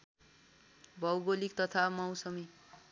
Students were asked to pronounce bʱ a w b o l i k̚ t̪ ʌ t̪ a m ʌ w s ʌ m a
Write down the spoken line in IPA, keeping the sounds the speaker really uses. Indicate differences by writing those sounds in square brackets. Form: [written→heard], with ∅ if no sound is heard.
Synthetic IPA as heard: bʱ [a→ʌ] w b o l i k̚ t̪ ʌ [t̪→t̪ʰ] a m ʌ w s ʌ m [a→i]